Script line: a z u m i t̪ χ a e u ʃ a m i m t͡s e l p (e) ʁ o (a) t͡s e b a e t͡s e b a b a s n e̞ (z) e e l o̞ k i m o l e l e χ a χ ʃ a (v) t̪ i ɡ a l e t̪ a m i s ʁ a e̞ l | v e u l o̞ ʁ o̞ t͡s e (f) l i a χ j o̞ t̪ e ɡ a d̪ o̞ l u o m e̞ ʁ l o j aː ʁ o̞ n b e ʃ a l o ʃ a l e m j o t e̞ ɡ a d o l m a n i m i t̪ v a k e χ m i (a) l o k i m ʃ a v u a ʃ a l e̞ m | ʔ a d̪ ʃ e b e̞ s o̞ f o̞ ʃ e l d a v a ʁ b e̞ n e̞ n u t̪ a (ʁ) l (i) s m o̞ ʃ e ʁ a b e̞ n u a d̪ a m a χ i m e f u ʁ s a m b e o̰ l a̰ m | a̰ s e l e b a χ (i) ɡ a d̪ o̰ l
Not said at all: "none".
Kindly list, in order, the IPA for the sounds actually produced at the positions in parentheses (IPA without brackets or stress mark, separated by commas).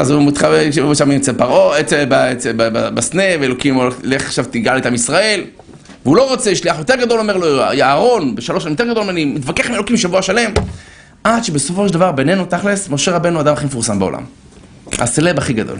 a, e, v, v, ʃ, e, χ, e, i